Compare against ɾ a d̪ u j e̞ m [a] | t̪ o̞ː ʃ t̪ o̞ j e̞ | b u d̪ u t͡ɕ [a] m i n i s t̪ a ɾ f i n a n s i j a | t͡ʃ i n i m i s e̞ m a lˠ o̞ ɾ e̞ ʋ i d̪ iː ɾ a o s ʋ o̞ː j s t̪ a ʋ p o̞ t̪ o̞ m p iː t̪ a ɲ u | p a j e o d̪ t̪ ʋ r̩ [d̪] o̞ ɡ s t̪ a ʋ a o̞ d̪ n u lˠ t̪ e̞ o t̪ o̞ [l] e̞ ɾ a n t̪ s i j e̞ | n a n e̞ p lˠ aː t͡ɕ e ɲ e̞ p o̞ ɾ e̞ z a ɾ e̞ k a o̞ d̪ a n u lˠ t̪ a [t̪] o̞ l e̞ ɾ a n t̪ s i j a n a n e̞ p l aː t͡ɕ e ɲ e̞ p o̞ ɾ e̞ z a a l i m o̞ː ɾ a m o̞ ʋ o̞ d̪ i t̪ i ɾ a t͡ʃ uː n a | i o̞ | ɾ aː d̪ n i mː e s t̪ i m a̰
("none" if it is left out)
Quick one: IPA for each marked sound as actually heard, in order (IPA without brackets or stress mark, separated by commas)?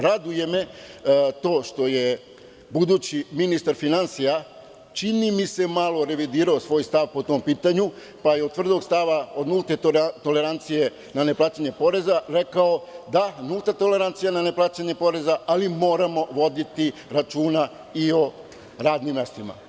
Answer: e, i, d̪, l, t̪